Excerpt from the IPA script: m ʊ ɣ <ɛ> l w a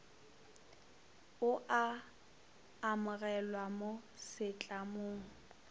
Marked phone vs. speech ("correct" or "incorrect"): correct